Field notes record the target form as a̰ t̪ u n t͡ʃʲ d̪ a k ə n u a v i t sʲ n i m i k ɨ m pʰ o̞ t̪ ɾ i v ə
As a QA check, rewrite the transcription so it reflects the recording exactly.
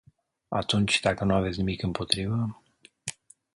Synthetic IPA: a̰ t̪ u n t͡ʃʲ d̪ a k ə n u a v e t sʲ n i m i k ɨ m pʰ o̞ t̪ ɾ i v ə